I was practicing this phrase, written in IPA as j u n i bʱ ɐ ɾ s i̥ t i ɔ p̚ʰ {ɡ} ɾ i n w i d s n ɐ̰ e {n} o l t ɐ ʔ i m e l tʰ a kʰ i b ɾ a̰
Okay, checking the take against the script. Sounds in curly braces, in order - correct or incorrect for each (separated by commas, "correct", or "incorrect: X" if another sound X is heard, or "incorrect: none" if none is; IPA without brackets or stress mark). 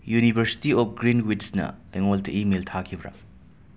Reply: correct, incorrect: ŋ